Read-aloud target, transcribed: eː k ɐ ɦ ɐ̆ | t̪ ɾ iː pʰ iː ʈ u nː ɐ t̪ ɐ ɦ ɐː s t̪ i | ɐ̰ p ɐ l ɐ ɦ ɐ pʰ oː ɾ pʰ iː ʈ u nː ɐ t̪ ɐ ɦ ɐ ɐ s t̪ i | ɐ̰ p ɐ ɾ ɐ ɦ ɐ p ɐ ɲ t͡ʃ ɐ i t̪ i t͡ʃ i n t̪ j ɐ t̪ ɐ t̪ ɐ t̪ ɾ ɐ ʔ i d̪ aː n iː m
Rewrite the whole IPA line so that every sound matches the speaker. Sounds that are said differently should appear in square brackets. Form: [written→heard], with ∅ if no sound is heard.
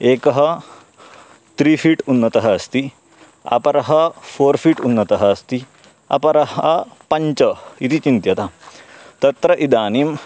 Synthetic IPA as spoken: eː k ɐ ɦ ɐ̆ | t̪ ɾ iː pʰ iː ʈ u nː ɐ t̪ ɐ ɦ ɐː s t̪ i | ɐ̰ p ɐ [l→ɾ] ɐ ɦ ɐ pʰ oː ɾ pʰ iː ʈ u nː ɐ t̪ ɐ ɦ ɐ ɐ s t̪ i | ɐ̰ p ɐ ɾ ɐ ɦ ɐ p ɐ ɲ t͡ʃ ɐ i t̪ i t͡ʃ i n t̪ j ɐ t̪ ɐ t̪ ɐ t̪ ɾ ɐ ʔ i d̪ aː n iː m